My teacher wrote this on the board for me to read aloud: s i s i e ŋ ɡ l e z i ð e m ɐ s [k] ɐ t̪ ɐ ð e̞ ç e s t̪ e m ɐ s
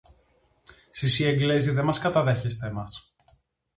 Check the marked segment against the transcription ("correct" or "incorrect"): correct